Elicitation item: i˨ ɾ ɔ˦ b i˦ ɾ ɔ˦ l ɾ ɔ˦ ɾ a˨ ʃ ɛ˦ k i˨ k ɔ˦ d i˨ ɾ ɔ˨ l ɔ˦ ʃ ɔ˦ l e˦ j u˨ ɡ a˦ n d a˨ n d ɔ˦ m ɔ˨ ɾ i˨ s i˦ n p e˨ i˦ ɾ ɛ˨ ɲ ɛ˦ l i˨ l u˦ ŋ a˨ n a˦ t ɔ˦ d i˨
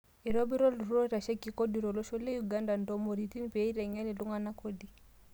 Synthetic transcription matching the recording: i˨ ɾ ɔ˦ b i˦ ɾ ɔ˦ l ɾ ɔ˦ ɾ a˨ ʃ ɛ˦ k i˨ k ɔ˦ d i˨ ɾ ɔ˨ l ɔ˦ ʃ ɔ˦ l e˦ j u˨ ɡ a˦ n d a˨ n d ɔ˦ m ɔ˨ ɾ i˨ t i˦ n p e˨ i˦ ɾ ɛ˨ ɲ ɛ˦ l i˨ l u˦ ŋ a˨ n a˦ k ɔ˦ d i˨